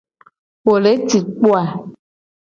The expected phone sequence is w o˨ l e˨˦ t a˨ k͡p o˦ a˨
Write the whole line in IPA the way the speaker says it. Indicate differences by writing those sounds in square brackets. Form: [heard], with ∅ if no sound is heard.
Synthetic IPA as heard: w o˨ l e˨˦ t [i˨] k͡p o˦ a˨